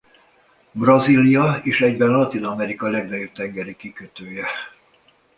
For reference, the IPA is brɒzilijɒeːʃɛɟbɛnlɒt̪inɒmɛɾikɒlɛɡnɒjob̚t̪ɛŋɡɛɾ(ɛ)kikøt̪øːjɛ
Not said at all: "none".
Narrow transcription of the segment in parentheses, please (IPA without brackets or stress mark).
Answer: i